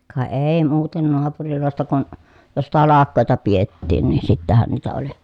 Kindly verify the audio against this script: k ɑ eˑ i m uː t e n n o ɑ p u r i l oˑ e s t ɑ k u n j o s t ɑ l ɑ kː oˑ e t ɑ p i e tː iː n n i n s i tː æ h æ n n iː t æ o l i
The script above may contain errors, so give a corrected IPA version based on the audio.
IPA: k ɑ eˑ i m uː t e n n o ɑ p u r i l oˑ e s t ɑ k u n j o s t ɑ l ɑ kː oˑ e t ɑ p i e tː iː n n i n s i tː æ h æ n n iː t æ o l i

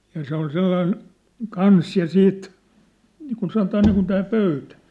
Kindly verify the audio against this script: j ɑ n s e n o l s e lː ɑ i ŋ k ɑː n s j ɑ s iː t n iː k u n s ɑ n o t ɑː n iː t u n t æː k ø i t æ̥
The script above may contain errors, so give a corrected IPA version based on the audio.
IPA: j ɑ s e o l s e lː ɑ i n k ɑ n s j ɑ s iː t n iː k u n s ɑ n o t ɑː n iː k u n t æː p ø y t æ̥

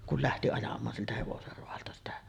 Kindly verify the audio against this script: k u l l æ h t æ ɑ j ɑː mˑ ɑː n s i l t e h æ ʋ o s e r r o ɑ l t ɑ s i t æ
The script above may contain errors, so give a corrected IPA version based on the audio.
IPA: k u l l æ h t i ɑ j ɑ mˑ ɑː n s i l t æ h e ʋ o s e r r o ɑ l t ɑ s i t æ

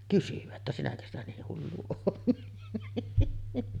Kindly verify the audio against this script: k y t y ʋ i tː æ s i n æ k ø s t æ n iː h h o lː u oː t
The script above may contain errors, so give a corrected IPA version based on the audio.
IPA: k y s y ʋ æ tː æ s i n æ k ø s t æ n iː h h u lː u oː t

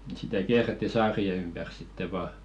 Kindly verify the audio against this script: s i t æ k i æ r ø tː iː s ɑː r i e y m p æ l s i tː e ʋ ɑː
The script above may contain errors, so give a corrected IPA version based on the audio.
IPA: s i t æ k i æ r e tː i s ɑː r i e y m p æ r s i tː e ʋ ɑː

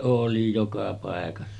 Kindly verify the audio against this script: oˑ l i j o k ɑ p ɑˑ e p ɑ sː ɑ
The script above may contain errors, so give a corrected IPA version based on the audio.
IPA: oˑ l i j o k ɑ p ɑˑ e k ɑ sː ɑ

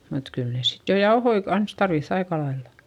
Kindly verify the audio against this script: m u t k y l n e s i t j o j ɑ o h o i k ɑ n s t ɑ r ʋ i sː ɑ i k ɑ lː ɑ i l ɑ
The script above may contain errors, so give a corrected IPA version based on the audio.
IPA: m u t k y l n e s i t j o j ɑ o h o i k ɑ n s t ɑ r ʋ i θː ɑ i k ɑ l ɑ i lː ɑ

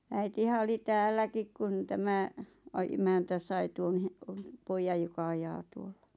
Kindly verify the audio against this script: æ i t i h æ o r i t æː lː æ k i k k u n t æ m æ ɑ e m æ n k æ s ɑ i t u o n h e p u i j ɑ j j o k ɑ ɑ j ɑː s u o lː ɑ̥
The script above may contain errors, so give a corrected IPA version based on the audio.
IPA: æ i t i h æ o l i t æː lː æ k i k k u n t æ m æ ɑ e m æ n t æ s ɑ i t u o n h e p o i j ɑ j j o k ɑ ɑ j ɑː t u o lː ɑ̥

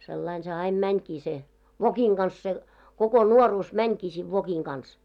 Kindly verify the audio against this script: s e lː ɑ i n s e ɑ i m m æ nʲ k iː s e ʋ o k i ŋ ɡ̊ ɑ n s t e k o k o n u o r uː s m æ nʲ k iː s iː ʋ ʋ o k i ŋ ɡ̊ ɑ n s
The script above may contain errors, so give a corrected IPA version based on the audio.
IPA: s e lː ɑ i n s e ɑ i m m æ nʲ k iː s e ʋ o k i ŋ ɡ̊ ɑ n s s e k o k o n u o r uː s m æ nʲ k iː s iː ʋ ʋ o k i ŋ ɡ̊ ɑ n s

